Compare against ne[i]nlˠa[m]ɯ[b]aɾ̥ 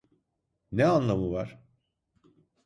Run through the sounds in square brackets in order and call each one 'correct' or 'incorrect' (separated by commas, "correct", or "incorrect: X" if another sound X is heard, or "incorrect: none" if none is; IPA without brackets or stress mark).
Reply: incorrect: a, correct, incorrect: v